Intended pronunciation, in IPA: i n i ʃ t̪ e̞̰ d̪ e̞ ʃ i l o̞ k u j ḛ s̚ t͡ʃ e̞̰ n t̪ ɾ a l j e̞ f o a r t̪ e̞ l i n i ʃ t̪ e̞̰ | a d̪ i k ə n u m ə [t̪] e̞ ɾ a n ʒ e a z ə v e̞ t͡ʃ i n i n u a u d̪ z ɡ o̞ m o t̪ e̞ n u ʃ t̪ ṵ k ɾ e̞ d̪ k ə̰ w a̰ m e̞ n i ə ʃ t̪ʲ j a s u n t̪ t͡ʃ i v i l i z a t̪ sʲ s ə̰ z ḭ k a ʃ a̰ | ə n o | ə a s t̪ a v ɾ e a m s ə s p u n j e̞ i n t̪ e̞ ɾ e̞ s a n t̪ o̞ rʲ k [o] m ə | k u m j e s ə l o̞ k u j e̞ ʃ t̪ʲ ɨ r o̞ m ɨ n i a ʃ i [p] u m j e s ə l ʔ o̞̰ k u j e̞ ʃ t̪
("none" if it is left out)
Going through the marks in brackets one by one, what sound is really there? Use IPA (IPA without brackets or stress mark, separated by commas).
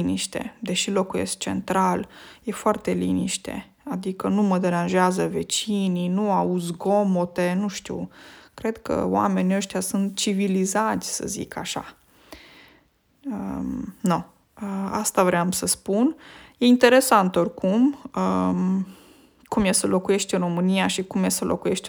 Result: d̪, u, k